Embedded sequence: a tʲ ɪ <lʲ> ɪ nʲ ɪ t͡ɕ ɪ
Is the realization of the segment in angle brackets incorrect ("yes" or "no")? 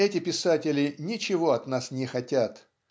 no